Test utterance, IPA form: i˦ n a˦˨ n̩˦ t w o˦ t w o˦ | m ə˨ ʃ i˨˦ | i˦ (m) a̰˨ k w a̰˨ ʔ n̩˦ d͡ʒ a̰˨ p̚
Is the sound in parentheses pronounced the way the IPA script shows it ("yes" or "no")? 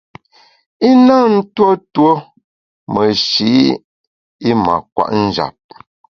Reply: yes